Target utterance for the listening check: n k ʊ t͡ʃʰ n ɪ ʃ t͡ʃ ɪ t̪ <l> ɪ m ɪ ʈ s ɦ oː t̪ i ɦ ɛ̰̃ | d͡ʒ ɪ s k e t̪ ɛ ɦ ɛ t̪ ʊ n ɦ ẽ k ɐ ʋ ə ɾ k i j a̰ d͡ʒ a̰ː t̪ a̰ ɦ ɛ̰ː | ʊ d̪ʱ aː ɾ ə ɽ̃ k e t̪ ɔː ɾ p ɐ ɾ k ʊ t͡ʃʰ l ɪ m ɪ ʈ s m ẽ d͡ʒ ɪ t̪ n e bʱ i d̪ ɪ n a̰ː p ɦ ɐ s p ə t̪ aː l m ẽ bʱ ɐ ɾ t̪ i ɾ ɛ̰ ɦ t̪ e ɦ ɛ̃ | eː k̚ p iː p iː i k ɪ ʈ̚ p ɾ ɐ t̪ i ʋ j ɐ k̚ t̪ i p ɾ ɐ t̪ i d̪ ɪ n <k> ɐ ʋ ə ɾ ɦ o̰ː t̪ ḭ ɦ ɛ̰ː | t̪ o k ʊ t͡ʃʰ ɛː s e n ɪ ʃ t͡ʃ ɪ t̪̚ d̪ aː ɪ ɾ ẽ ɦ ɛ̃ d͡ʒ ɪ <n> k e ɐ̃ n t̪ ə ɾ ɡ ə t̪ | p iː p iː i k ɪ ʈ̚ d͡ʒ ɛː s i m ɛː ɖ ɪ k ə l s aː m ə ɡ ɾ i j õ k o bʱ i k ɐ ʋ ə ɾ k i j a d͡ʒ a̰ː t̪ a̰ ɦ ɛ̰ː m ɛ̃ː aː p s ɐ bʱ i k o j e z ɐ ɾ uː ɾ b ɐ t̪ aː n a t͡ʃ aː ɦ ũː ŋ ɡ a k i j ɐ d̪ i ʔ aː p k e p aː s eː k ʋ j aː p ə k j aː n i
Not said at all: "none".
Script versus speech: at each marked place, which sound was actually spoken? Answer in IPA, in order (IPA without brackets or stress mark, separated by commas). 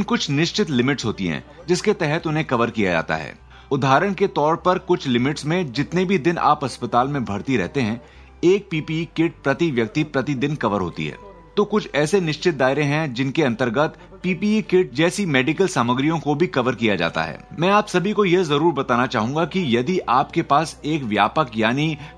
l, k, n